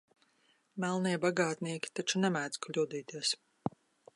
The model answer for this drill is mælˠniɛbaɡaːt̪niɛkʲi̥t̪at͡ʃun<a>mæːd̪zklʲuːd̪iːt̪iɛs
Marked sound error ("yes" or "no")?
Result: yes